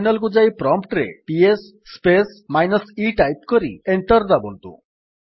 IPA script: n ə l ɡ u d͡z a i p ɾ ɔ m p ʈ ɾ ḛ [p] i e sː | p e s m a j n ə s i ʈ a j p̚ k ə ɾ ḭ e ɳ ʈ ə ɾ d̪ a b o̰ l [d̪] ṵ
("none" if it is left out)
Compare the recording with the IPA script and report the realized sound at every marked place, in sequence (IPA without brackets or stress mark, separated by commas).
p, t̪